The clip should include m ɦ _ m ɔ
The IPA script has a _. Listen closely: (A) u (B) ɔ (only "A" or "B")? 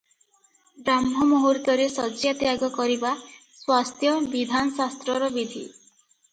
B